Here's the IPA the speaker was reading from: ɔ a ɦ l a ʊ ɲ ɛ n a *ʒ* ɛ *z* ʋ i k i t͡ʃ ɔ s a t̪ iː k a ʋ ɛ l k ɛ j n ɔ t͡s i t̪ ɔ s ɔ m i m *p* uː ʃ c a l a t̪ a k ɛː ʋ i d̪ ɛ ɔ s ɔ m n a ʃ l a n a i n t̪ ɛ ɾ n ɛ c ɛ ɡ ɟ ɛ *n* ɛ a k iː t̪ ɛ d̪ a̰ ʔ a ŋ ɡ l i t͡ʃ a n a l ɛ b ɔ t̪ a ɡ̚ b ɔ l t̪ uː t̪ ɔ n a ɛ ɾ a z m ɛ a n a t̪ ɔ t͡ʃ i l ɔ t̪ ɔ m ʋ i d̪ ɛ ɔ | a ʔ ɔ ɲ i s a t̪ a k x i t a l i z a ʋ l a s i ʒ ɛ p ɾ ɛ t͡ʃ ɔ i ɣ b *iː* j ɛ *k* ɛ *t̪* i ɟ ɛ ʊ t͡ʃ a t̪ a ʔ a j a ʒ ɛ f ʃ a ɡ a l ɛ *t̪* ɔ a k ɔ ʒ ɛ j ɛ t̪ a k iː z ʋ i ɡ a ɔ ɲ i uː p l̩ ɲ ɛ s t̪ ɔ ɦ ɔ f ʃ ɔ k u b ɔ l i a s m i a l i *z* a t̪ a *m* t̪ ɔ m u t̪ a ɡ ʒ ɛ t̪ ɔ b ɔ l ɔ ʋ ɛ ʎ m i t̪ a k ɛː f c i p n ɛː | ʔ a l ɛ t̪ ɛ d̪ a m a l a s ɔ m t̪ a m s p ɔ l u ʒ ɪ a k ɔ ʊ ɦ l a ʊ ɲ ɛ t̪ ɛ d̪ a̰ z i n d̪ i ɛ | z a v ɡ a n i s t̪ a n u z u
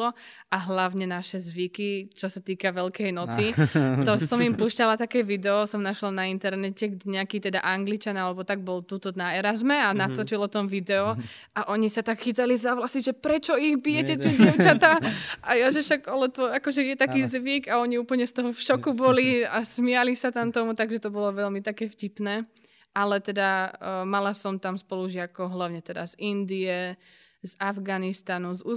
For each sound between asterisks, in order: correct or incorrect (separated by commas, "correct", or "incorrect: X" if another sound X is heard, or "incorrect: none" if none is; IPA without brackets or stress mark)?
incorrect: ʃ, correct, correct, incorrect: ɲ, incorrect: i, incorrect: c, correct, correct, incorrect: s, correct